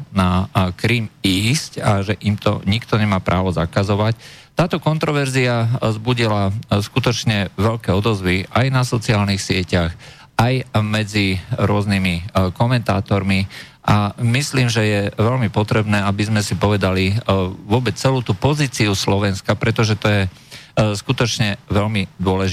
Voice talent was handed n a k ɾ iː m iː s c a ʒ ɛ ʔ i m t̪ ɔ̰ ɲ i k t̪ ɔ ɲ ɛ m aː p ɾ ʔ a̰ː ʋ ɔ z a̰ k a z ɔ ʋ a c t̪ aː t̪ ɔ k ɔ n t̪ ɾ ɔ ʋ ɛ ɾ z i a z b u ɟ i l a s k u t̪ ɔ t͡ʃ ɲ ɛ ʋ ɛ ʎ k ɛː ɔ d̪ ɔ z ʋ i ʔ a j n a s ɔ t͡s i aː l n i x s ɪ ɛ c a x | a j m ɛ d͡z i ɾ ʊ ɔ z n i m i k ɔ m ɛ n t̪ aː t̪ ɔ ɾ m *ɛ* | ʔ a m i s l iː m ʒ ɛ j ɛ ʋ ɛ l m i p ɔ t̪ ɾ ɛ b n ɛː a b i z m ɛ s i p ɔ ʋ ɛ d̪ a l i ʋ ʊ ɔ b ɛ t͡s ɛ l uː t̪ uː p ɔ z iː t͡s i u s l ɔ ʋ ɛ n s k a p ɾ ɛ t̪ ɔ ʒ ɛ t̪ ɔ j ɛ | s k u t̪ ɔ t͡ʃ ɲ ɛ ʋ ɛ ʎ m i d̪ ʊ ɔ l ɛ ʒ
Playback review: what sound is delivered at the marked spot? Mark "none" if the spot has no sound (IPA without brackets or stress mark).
i